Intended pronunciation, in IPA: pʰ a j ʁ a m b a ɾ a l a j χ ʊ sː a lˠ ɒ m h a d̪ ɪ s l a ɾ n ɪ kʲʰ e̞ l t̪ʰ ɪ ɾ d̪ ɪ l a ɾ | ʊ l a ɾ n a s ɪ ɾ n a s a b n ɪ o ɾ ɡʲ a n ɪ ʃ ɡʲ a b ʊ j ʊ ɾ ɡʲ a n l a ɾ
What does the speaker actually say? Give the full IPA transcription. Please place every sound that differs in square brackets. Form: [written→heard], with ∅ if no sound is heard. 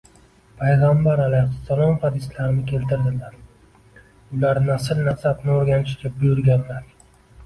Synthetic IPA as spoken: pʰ a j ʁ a m b a ɾ a l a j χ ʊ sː a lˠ ɒ m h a d̪ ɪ s l a ɾ n ɪ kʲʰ e̞ l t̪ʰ ɪ ɾ d̪ ɪ l a ɾ | ʊ l a ɾ n a s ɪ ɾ n a s a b n ɪ o ɾ ɡʲ a n ɪ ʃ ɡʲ a b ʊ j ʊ ɾ ɡʲ a n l a ɾ